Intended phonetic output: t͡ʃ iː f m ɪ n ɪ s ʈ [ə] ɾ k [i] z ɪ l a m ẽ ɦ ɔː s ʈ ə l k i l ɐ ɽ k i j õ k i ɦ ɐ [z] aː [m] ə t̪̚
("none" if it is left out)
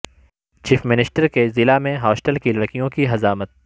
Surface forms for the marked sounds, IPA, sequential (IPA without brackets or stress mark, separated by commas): ə, e, z, m